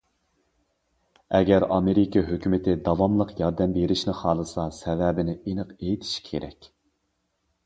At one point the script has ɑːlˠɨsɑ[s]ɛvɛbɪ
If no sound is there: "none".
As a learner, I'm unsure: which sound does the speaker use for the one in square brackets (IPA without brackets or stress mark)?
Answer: s